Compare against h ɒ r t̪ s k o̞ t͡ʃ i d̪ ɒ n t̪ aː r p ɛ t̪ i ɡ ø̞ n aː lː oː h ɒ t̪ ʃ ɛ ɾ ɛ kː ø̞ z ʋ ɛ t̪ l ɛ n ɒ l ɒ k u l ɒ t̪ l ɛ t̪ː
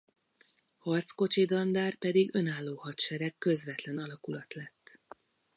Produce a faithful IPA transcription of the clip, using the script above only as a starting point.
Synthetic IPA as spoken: h ɒ r t̪ s k o̞ t͡ʃ i d̪ ɒ n d̪ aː r p ɛ d̪ i ɡ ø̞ n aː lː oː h ɒ t̪ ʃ ɛ ɾ ɛ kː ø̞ z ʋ ɛ t̪ l ɛ n ɒ l ɒ k u l ɒ t̪ l ɛ t̪ː